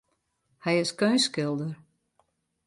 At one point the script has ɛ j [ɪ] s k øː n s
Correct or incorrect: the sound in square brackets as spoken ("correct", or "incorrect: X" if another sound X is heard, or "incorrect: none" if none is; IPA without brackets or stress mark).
correct